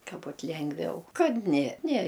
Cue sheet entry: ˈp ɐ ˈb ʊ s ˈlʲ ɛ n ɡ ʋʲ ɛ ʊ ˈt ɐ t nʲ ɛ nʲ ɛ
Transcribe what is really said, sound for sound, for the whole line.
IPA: ˈk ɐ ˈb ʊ t ˈlʲ ɛ ŋ ɡ ʋʲ ɛ ʊ ˈk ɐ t nʲ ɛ nʲ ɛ